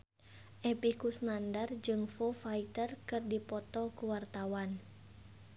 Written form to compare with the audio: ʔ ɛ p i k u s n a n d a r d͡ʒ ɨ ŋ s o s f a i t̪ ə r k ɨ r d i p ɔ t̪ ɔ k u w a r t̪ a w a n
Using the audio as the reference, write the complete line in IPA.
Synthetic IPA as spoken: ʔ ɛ p i k u s n a n d a r d͡ʒ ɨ ŋ f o f a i t̪ ə r k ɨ r d i p ɔ t̪ ɔ k u w a r t̪ a w a n